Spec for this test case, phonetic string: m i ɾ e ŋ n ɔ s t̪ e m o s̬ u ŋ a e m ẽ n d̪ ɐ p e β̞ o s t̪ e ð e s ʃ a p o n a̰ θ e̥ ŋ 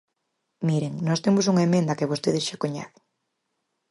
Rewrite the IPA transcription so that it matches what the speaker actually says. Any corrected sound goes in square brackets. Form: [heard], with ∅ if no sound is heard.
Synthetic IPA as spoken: m i ɾ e ŋ n ɔ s t̪ e m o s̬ u ŋ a e m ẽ n d̪ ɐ [k] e β̞ o s t̪ e ð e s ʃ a [k] o [ɲ] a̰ θ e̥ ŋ